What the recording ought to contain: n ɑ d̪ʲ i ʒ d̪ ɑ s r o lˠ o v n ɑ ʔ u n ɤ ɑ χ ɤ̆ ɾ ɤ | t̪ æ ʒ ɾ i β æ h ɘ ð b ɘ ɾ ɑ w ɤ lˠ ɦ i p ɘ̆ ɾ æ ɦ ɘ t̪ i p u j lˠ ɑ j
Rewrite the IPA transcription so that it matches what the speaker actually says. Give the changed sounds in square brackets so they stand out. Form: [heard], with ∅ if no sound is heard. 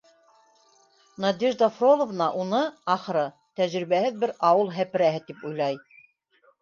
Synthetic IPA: n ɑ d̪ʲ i ʒ d̪ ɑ [f] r o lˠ o v n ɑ ʔ u n ɤ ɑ χ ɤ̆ ɾ ɤ | t̪ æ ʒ ɾ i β æ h ɘ ð b ɘ ɾ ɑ w ɤ lˠ ɦ [æ] p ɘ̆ ɾ æ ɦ ɘ t̪ i p u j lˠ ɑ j